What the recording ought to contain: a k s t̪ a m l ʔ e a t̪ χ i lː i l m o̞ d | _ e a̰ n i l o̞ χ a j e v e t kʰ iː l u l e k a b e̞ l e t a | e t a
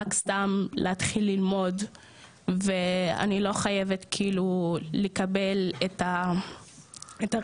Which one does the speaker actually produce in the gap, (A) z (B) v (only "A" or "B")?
B